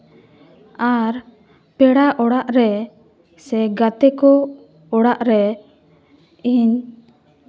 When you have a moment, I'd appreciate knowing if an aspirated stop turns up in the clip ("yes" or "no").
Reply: no